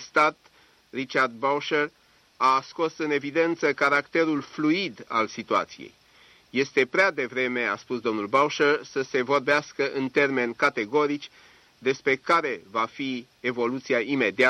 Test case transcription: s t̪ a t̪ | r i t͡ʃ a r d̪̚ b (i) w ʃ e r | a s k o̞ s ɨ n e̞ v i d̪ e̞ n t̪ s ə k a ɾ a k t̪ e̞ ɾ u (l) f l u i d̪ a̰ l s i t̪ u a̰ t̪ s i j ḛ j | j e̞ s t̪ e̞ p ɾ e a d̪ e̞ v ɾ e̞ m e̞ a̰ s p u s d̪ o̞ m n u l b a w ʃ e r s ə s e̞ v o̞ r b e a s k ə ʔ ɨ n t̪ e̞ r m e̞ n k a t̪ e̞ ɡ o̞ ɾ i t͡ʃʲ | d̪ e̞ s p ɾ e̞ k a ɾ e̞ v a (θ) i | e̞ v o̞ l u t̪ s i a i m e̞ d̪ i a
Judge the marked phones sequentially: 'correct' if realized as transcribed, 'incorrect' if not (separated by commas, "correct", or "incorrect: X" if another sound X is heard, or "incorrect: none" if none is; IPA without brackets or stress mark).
incorrect: a, correct, incorrect: f